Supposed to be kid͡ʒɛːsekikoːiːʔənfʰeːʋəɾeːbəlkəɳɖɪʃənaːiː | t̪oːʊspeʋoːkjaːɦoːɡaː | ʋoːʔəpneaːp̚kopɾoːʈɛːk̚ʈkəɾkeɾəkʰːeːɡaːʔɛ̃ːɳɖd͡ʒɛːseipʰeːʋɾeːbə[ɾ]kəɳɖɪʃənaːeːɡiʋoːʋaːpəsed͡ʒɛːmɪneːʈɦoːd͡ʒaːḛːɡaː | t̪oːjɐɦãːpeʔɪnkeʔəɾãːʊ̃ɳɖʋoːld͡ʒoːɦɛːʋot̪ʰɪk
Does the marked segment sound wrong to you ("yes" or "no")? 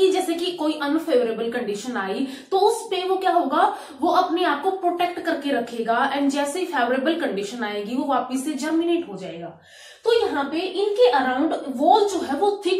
yes